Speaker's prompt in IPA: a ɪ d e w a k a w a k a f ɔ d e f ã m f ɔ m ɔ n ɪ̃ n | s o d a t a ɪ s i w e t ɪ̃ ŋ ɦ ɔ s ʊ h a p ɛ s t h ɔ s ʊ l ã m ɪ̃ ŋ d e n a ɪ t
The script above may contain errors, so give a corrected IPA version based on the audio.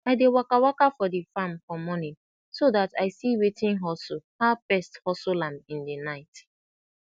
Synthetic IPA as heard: a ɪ d e w a k a w a k a f ɔ d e f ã m f ɔ m ɔ n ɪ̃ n | s o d a t a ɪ s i w e t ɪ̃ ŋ ɦ ɔ s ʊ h a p ɛ s t h ɔ s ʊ l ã m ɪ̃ n d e n a ɪ t